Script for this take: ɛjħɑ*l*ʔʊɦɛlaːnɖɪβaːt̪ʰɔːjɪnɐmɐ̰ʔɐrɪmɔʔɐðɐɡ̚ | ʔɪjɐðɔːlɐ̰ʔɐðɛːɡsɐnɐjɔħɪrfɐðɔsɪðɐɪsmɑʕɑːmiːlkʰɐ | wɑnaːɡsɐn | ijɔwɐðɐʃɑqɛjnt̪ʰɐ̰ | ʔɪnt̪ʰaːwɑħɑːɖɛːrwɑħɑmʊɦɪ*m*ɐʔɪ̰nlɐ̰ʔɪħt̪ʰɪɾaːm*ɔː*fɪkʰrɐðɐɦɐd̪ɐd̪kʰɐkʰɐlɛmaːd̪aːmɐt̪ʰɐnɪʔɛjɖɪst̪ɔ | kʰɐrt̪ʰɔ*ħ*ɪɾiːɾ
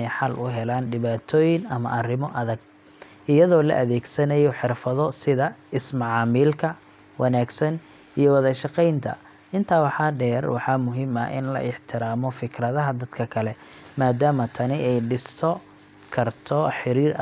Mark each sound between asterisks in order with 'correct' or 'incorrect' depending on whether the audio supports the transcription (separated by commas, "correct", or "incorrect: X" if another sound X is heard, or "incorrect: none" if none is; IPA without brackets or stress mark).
correct, correct, incorrect: ɔ, correct